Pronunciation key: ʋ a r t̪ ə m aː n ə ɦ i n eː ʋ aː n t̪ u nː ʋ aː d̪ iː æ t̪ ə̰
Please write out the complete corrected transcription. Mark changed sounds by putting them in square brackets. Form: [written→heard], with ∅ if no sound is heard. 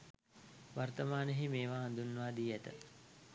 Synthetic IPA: ʋ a r t̪ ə m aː n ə ɦ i [n→m] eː ʋ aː n [t̪→d̪] u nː ʋ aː d̪ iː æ t̪ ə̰